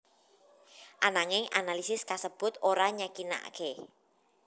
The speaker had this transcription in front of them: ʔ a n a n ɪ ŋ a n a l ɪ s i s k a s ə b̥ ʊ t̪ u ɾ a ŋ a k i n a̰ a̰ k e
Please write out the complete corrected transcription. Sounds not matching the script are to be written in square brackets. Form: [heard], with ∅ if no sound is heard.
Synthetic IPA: ʔ a n a [ŋ] ɪ ŋ a n a l [i] s [ɪ] s k a s ə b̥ ʊ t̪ [o] ɾ a [ɲ] a k i n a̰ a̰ k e

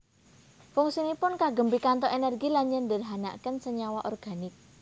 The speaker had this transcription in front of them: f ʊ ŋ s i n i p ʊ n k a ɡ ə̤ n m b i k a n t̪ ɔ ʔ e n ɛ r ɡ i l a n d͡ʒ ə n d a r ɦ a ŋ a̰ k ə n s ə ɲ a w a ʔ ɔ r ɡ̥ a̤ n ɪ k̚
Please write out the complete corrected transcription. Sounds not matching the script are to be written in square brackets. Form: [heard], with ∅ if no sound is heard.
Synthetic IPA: f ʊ ŋ s i n i p ʊ n k a ɡ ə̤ [∅] m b i k a n t̪ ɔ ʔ e n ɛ r ɡ i l a [ɲ] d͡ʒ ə n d [ə] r ɦ a [n] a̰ k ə n s ə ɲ a w a ʔ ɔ r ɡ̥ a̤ n ɪ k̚

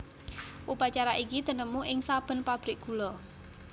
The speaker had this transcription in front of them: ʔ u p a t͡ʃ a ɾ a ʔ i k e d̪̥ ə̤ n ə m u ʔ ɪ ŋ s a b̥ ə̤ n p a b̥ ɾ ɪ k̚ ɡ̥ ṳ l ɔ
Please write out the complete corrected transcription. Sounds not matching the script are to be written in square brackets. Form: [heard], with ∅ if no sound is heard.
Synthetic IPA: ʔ u p a t͡ʃ a ɾ a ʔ i k [i] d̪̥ ə̤ n ə m u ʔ ɪ ŋ s a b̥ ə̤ n p a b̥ ɾ ɪ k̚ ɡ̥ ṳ l ɔ

